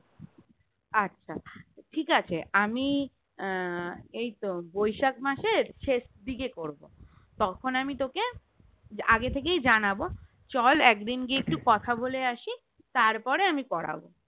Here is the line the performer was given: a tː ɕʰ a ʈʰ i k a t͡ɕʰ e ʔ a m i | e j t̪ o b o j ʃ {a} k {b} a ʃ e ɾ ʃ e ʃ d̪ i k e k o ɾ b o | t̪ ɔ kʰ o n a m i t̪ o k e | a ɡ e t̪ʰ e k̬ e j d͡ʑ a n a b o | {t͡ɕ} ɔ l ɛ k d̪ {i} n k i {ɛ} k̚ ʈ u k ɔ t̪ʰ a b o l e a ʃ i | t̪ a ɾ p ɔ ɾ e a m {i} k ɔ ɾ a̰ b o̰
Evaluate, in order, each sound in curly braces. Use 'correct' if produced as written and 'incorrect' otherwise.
correct, incorrect, correct, correct, incorrect, correct

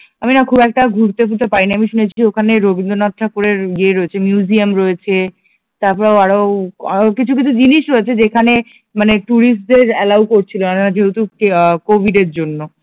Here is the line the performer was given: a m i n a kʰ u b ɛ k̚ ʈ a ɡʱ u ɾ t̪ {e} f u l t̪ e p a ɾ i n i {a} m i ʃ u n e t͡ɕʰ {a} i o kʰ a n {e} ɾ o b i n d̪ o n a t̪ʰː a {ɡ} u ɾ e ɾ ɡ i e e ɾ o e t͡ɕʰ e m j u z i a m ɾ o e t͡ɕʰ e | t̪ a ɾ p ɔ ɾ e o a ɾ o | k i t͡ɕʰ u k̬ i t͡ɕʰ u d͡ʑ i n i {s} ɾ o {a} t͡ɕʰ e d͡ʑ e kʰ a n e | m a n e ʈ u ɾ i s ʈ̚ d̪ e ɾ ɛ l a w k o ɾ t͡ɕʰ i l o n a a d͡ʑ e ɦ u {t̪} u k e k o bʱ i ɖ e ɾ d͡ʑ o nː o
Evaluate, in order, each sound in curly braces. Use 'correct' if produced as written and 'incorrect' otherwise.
correct, correct, incorrect, correct, incorrect, incorrect, incorrect, correct

